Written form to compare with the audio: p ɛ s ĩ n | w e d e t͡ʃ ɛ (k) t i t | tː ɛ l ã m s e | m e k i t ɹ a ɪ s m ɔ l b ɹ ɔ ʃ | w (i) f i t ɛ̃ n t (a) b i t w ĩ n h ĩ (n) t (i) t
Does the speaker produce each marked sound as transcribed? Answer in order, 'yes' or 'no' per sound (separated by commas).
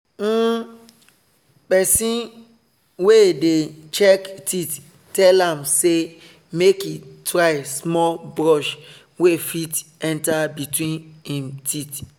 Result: yes, no, yes, no, yes